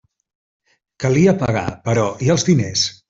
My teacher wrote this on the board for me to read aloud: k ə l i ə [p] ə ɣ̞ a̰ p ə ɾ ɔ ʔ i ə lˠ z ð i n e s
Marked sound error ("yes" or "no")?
no